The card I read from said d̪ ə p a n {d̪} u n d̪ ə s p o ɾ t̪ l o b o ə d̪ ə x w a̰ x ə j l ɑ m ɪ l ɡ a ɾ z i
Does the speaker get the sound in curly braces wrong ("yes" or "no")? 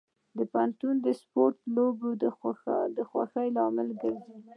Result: yes